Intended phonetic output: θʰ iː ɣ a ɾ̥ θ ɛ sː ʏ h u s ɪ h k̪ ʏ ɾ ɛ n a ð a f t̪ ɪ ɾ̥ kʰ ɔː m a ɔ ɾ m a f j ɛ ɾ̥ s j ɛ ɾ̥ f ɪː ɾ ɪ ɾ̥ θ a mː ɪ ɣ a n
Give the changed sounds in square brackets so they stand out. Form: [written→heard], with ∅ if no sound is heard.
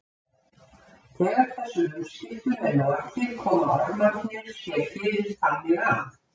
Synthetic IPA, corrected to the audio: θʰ [iː→ɛː] ɣ a ɾ̥ θ ɛ sː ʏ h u s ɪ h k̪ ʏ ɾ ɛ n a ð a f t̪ ɪ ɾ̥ kʰ ɔː m a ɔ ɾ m a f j ɛ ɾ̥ s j ɛ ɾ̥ f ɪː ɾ ɪ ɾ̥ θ a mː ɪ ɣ a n